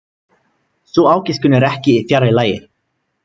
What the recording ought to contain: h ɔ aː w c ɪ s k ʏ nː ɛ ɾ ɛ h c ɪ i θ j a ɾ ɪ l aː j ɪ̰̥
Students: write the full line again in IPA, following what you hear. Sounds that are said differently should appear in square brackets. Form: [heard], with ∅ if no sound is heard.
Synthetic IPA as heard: [s] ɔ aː w c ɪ s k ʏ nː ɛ ɾ ɛ h c ɪ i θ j a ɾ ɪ l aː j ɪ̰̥